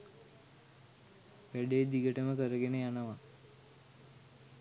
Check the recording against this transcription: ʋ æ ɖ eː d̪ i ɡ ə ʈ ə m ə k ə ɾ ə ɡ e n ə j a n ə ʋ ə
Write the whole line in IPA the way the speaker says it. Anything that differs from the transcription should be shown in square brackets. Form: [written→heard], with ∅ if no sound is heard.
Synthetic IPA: ʋ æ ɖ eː d̪ i ɡ ə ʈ ə m ə k ə ɾ ə ɡ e n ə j a n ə ʋ [ə→a]